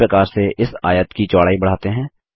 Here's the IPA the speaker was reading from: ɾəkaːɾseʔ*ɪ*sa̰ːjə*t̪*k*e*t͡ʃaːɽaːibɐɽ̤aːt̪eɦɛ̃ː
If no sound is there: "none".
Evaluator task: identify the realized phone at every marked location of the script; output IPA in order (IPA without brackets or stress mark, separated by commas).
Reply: ɪ, t̪, i